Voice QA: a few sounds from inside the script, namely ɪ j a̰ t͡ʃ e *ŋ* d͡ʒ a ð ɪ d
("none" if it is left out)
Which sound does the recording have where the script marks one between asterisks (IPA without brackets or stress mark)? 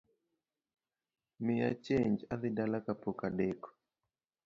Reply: ɲ